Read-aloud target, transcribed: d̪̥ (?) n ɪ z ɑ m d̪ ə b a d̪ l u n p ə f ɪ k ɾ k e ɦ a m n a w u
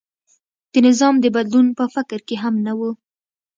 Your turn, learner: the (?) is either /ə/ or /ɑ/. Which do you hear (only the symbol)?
ə